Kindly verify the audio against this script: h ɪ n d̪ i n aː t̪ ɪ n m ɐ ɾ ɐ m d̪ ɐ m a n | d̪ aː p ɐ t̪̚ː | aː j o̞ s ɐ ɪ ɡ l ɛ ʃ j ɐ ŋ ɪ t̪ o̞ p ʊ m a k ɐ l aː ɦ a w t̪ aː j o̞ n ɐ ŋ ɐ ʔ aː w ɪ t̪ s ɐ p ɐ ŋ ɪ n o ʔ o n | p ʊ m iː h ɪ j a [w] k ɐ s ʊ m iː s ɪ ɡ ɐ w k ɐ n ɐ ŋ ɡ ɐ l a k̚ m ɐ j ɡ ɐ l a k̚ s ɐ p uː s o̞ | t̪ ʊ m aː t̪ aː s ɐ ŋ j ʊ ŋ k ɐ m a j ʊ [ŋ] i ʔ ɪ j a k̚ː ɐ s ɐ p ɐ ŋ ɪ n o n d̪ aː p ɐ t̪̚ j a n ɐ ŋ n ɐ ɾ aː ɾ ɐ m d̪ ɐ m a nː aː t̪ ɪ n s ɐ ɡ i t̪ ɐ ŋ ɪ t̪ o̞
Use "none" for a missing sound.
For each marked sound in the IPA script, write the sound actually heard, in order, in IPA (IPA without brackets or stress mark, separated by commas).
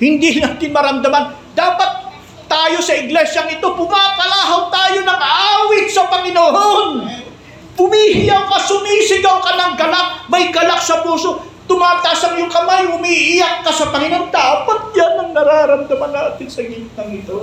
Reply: w, m